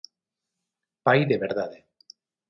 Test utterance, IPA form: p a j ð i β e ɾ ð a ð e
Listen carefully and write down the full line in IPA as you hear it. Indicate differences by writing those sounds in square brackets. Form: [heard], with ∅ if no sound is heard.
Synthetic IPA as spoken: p a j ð [e] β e ɾ ð a ð e